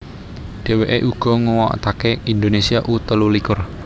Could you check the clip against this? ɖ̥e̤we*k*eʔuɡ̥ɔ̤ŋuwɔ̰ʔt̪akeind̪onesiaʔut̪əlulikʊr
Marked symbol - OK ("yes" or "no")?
no